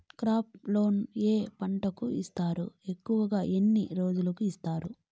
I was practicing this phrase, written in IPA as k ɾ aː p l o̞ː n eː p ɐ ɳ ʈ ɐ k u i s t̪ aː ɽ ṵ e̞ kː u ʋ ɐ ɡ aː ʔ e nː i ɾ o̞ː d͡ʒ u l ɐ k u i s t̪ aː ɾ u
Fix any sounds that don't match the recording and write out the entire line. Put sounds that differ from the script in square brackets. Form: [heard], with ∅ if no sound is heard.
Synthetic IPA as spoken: k ɾ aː p l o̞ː n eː p ɐ ɳ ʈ ɐ k u i s t̪ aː [ɾ] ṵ e̞ kː u ʋ ɐ ɡ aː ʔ e nː i ɾ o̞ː d͡ʒ u l ɐ k u i s t̪ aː ɾ u